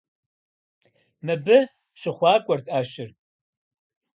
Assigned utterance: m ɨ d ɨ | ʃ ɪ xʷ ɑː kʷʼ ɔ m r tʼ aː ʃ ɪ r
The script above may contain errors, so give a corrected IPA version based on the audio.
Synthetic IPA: m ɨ b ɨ | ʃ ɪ χʷ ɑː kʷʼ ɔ r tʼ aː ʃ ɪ r

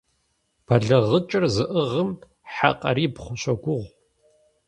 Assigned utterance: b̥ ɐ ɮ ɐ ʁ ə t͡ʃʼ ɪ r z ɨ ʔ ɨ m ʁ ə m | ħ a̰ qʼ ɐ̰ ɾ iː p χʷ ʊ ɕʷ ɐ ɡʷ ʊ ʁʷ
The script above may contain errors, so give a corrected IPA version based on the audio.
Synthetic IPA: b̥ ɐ ɮ ɐ ʁ ə t͡ʃʼ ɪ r z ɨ ʔ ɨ ʁ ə m | ħ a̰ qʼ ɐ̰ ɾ iː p χʷ ʊ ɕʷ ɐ ɡʷ ʊ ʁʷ

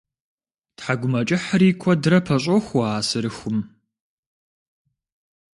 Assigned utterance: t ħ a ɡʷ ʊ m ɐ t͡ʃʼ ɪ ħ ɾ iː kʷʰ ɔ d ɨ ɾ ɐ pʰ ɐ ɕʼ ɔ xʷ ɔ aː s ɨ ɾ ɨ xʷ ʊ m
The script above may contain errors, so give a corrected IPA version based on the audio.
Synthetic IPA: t ħ a ɡʷ ʊ m ɐ t͡ʃʼ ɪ ħ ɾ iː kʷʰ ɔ d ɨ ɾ ɐ pʰ ɐ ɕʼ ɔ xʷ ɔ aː s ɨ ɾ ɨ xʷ ʊ m

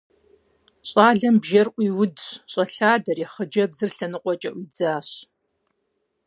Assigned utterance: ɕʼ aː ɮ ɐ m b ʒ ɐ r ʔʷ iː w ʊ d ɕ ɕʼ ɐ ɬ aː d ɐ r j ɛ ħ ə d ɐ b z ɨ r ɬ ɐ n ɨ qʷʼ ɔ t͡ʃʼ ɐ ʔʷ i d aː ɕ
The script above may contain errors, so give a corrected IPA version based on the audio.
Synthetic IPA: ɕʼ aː ɮ ɐ m b ʒ ɐ r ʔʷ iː w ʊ d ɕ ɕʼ ɐ ɬ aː d ɐ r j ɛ χ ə d͡ʒ ɐ b z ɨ r ɬ ɐ n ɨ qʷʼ ɔ t͡ʃʼ ɐ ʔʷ i d͡z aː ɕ

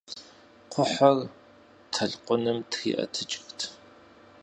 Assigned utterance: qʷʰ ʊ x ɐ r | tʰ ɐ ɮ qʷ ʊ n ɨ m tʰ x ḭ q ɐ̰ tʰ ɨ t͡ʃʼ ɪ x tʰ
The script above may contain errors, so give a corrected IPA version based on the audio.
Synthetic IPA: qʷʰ ʊ ħ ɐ r | tʰ ɐ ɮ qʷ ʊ n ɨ m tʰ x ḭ ʔ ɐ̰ tʰ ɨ t͡ʃʼ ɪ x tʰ

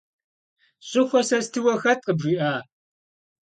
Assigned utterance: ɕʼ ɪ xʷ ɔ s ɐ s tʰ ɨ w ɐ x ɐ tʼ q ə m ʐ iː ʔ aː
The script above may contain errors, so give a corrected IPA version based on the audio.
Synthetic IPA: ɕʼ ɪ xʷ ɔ s ɐ s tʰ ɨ w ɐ x ɐ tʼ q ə b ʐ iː ʔ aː

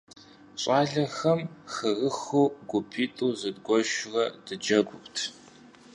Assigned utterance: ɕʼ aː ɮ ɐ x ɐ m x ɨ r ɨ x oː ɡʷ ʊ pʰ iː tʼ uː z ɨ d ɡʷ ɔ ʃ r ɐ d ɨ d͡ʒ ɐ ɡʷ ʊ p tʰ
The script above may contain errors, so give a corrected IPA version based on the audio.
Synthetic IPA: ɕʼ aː ɮ ɐ x ɐ m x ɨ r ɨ x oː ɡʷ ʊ pʰ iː tʼ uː z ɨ d ɡʷ ɔ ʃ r ɐ d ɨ d͡ʒ ɐ ɡʷ ʊ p tʰ

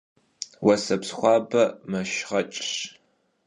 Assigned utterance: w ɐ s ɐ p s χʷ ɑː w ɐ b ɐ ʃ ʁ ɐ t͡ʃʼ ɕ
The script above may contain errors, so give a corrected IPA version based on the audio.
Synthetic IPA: w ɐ s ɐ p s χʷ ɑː b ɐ m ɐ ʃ ʁ ɐ t͡ʃʼ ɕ

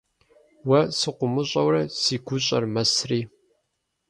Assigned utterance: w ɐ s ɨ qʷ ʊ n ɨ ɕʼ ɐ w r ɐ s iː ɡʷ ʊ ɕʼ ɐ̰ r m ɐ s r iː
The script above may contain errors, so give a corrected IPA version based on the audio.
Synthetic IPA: w ɐ s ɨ qʷ ʊ m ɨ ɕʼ ɐ w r ɐ s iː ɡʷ ʊ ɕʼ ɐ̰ r m ɐ s r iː

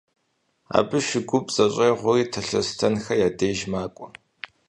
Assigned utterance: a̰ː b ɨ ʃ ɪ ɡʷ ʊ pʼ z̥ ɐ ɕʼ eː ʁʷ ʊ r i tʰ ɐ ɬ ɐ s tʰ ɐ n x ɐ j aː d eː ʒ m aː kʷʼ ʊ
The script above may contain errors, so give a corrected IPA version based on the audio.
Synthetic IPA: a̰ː b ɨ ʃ ɪ ɡʷ ʊ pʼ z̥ ɐ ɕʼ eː ʁʷ ʊ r iː tʰ ɐ ɬ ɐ s tʰ ɐ n x ɐ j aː d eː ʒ m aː kʷʼ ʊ

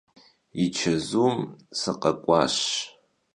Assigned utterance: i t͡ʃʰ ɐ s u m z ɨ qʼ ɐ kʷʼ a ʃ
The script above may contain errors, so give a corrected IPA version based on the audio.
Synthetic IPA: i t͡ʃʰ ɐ z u m s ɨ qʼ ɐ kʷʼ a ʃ

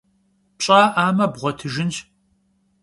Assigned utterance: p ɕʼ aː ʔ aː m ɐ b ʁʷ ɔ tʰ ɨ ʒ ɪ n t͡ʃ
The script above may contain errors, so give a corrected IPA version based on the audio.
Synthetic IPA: p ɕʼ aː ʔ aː m ɐ b ʁʷ ɔ tʰ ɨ ʒ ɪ n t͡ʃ

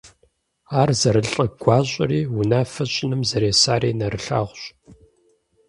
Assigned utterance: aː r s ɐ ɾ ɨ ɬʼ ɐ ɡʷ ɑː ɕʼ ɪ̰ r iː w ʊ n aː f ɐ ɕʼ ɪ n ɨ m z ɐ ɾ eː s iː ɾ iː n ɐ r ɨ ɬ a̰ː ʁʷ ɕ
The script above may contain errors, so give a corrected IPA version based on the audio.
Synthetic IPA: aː r z ɐ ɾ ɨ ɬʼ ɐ ɡʷ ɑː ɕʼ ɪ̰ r iː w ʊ n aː f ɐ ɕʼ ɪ n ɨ m z ɐ ɾ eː s aː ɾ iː n ɐ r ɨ ɬ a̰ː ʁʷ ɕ

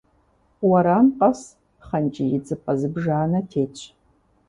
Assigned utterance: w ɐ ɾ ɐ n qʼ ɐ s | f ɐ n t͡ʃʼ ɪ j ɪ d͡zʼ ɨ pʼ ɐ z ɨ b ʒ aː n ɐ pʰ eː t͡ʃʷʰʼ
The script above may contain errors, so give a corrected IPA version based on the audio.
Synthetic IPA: w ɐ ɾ a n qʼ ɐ s | χ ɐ n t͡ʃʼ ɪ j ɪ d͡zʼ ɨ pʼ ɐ z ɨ b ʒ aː n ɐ tʰ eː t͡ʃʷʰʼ

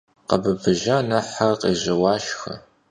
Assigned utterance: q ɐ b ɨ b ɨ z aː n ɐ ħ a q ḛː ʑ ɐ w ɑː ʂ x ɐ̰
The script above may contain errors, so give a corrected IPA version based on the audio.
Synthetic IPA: q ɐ b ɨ b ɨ ʒ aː n ɐ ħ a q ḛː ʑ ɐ w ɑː ʃ x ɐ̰

